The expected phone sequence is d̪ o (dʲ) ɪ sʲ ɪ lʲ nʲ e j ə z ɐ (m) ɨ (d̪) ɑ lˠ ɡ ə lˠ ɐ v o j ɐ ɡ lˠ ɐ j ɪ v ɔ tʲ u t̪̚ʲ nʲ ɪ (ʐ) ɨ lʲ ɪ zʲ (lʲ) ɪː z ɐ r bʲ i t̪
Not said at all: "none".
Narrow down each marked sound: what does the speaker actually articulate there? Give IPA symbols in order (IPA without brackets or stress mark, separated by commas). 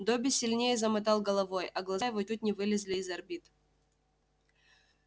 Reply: bʲ, m, t̪, v, lʲ